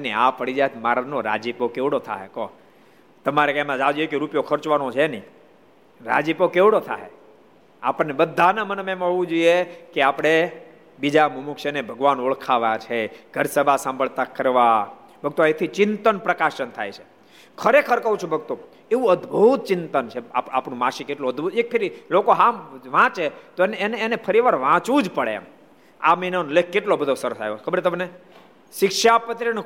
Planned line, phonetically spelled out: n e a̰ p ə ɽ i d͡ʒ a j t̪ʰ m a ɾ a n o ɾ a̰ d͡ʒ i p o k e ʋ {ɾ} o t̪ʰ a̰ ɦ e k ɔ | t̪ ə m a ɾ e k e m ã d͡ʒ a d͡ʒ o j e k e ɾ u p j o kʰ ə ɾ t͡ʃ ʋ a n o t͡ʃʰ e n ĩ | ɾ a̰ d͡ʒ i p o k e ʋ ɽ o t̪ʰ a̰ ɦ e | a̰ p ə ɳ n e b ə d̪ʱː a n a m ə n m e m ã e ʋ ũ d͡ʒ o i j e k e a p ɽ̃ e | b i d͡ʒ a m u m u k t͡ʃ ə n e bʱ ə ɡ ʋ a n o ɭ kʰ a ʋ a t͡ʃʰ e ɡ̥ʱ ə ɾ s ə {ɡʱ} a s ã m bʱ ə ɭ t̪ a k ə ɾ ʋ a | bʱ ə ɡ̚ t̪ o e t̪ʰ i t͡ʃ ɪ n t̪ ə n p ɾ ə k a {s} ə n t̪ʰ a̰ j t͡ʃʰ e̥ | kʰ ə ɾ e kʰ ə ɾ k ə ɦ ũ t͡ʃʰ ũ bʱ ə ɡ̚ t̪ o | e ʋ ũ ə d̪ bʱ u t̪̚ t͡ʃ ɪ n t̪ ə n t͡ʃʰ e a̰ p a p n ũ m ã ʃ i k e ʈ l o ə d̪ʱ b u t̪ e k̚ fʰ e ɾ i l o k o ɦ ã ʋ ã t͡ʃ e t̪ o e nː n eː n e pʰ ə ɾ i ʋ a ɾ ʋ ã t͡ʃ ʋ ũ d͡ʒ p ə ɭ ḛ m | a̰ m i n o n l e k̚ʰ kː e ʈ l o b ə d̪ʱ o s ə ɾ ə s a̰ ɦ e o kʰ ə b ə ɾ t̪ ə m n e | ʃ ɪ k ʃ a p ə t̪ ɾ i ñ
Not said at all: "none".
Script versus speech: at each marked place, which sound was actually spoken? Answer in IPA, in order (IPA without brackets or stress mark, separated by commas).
ɽ, bʱ, ʃ